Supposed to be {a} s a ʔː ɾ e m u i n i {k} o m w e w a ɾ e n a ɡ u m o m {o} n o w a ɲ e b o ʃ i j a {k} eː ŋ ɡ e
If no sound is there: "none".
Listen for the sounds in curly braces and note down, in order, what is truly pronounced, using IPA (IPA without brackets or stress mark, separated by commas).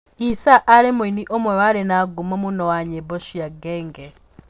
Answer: i, ʔ, u, ɡ